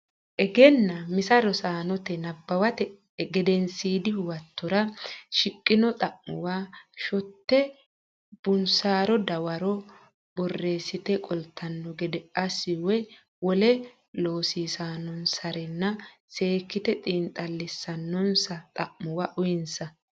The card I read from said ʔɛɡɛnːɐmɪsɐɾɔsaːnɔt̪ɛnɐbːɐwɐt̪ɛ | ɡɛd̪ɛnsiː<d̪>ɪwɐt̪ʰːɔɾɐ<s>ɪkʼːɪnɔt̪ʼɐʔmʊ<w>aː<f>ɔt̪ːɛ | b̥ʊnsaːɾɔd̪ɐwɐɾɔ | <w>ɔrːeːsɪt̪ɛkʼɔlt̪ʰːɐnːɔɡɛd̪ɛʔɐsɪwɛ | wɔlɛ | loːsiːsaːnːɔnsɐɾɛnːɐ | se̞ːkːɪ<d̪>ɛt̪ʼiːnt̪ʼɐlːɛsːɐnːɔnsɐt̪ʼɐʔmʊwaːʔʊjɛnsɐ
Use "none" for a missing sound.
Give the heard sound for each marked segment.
d̪, ʃ, w, ʃ, b, t̪

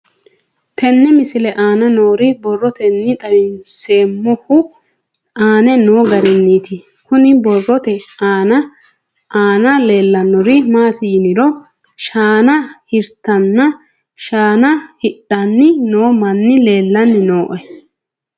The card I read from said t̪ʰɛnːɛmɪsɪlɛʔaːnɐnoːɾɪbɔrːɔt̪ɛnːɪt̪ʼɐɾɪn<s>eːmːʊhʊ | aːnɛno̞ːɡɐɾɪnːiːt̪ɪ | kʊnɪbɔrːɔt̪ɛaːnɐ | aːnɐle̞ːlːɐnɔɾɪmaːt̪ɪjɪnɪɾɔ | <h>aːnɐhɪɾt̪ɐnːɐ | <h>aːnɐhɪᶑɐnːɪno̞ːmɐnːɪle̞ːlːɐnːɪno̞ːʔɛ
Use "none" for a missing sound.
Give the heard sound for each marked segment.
s, ʃ, ʃ

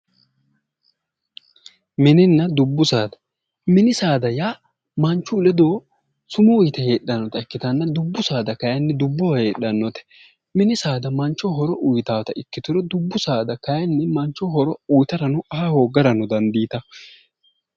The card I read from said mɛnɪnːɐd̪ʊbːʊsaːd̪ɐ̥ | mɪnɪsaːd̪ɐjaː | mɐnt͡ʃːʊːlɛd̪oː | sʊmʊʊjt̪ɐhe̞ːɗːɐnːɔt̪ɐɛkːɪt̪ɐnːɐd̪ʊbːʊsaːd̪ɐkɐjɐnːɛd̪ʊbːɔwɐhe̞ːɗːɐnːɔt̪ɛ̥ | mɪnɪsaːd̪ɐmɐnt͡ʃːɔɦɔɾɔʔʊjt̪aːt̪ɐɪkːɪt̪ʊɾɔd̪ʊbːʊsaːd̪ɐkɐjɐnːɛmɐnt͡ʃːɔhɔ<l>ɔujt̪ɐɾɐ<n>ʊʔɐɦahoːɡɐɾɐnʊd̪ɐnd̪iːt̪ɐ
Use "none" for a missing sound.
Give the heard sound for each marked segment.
ɾ, n

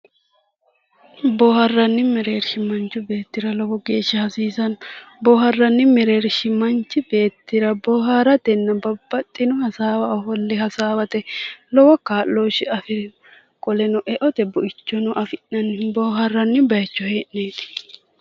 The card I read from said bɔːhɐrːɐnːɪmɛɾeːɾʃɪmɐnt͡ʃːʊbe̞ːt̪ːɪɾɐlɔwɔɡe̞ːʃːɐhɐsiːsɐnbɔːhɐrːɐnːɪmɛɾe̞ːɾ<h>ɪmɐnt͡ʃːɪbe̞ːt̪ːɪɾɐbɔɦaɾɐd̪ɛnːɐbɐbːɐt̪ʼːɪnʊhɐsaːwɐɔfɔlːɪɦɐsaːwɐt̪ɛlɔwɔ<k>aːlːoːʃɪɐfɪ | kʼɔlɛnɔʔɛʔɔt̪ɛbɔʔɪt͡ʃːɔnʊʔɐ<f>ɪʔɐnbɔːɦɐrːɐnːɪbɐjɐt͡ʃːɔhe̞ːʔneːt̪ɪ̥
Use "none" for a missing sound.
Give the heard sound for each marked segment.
ʃ, k, f

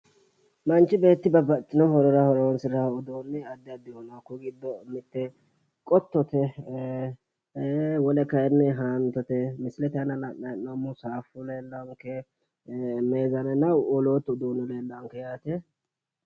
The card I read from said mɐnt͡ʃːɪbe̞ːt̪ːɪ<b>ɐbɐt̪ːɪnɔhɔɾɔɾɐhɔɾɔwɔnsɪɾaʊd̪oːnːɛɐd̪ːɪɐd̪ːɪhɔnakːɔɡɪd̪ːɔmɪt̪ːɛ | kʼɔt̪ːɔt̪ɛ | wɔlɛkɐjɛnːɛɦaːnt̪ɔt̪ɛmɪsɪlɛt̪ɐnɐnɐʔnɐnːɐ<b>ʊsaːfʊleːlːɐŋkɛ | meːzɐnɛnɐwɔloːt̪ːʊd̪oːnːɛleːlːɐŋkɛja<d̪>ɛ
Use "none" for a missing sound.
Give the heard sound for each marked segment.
b, m, t̪

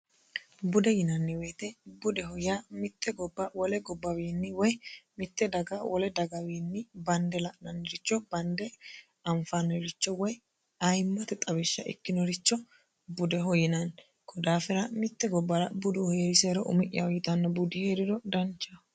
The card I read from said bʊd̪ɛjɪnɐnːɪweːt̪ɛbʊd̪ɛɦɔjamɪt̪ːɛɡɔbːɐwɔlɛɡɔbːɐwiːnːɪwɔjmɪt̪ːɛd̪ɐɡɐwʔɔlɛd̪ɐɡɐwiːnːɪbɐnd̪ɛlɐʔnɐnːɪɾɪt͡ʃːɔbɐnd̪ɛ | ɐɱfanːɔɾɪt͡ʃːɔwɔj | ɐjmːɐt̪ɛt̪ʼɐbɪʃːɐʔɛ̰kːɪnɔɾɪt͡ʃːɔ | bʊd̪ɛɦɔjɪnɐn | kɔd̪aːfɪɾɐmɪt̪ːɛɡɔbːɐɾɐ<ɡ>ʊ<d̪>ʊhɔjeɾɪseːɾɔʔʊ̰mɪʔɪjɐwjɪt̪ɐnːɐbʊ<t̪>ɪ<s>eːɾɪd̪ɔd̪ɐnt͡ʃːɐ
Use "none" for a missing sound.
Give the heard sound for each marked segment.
b, d̪, d̪, h

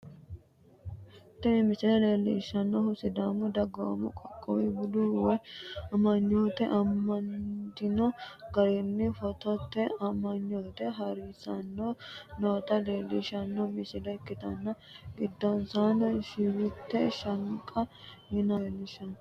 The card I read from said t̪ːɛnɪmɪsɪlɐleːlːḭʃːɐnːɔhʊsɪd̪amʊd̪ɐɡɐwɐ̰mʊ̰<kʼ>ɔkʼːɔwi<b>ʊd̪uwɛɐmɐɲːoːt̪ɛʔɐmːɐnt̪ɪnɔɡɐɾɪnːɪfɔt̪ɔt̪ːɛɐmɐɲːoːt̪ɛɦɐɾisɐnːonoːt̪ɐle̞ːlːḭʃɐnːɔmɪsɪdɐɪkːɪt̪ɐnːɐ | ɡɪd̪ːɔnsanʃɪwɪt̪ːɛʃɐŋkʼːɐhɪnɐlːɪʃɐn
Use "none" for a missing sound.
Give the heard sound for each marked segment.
kʼ, b

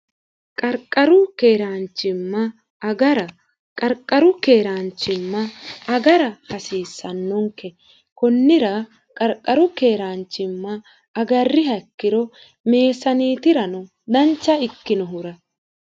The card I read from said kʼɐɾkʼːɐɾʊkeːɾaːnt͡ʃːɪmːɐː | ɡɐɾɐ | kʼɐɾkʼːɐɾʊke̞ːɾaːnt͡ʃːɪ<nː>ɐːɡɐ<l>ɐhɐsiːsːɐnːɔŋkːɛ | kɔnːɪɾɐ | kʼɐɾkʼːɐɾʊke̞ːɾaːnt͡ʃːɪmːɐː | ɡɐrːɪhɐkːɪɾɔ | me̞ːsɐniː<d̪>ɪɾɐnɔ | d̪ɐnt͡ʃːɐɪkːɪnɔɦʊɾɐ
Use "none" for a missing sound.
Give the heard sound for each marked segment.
mː, ɾ, t̪

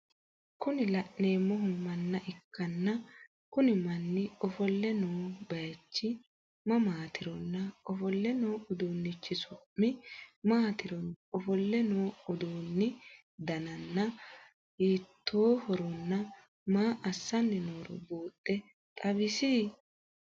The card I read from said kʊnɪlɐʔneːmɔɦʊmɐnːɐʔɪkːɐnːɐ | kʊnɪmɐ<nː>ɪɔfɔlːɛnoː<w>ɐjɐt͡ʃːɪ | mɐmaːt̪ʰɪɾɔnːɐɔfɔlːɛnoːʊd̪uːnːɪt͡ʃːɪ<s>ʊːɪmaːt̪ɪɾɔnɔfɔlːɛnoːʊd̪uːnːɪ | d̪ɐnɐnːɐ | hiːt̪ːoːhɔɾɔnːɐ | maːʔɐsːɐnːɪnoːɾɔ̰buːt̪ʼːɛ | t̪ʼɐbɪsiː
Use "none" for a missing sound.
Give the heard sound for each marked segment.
nː, b, s

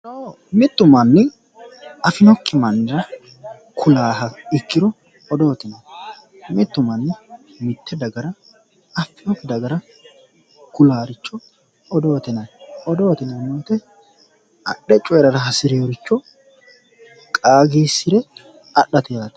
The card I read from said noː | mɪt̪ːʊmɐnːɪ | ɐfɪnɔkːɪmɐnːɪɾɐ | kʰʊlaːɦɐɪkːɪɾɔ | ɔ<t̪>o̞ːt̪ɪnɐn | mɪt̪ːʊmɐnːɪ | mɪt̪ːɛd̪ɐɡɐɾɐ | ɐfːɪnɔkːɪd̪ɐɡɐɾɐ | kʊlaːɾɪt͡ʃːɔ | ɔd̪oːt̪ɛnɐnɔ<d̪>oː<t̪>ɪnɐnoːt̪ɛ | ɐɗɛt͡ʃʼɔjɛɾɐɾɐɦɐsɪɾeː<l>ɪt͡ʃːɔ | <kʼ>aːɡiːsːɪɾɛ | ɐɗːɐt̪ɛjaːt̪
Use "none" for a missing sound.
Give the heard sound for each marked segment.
d̪, d̪, t̪, ɾ, kʼ

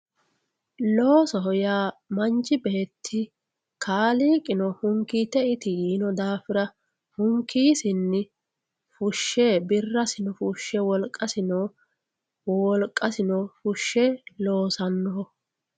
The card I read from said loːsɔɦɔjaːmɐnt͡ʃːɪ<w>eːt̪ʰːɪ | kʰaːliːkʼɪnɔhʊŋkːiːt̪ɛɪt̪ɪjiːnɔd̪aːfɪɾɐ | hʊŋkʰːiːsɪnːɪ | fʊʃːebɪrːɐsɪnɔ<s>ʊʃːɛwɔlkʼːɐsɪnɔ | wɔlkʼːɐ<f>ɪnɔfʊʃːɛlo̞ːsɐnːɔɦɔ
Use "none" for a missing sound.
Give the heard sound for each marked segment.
b, f, s

